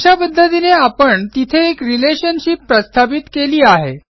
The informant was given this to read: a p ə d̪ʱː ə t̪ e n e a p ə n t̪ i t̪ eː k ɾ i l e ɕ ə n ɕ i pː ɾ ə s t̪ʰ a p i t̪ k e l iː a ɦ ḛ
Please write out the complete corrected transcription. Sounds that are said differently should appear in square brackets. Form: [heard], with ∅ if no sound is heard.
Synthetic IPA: a p ə d̪ʱː ə t̪ [i] n e a p ə [ɳ] t̪ i [t̪ʰ] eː k ɾ i l e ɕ ə n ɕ i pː ɾ ə s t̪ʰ a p i t̪ k e l iː a ɦ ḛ